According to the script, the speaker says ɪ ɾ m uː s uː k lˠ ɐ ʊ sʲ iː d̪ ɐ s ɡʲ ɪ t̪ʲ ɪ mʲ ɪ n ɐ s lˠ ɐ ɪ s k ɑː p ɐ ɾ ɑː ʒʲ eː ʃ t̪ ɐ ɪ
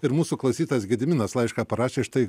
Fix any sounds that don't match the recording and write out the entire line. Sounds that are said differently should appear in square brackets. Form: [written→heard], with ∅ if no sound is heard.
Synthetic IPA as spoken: ɪ ɾ m uː s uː k lˠ ɐ ʊ sʲ iː [d̪→t̪] ɐ s ɡʲ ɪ [t̪ʲ→d̪ʲ] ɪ mʲ ɪ n ɐ s lˠ ɐ ɪ [s→ʃ] k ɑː p ɐ ɾ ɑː [ʒʲ→ʃʲ] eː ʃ t̪ ɐ ɪ